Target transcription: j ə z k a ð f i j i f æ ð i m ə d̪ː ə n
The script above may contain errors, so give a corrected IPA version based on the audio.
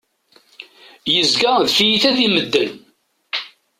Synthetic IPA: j ə z ɡ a ð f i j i θ æ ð i m ə d̪ː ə n